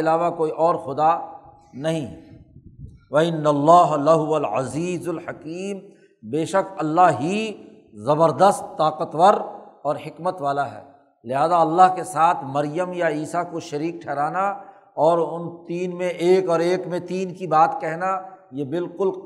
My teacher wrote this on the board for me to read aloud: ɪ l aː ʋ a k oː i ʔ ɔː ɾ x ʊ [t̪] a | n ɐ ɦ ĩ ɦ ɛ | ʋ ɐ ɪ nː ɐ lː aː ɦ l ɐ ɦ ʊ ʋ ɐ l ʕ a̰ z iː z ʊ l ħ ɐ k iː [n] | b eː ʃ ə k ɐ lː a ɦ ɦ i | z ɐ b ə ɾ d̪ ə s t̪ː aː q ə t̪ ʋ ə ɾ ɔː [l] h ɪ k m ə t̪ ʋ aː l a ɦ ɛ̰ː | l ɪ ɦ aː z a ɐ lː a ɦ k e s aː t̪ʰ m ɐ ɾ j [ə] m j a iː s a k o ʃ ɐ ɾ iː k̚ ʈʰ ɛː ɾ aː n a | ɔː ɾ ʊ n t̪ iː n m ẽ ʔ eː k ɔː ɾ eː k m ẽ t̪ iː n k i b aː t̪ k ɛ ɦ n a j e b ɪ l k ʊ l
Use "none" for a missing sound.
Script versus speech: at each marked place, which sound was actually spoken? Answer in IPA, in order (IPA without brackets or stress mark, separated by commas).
d̪, m, ɾ, ə